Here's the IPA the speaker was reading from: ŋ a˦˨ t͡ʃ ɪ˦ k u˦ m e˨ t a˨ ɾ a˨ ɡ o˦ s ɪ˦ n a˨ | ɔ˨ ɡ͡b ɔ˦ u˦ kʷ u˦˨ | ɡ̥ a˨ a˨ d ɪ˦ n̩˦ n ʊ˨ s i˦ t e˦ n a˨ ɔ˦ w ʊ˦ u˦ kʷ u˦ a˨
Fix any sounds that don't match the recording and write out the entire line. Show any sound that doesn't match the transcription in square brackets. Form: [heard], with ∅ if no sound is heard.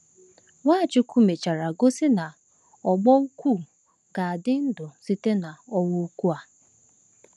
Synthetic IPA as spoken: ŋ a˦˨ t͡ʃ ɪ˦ k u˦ m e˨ [t͡ʃ] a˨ ɾ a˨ ɡ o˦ s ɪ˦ n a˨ | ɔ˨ ɡ͡b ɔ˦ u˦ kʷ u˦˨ | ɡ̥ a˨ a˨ d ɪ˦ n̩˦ [d] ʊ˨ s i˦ t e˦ n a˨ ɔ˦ w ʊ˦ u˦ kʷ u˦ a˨